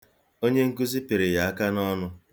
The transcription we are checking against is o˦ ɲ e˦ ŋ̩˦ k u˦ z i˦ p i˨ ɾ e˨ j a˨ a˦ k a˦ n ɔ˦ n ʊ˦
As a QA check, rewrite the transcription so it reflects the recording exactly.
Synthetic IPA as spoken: o˦ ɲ e˦ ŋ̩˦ k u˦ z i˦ p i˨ ɾ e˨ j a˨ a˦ k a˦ n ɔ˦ n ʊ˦